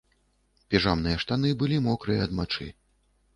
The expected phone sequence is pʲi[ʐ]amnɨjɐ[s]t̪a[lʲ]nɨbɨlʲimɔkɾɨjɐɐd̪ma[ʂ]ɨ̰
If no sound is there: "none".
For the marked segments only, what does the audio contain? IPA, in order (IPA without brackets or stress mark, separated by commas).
ʐ, ʂ, none, t͡ʂ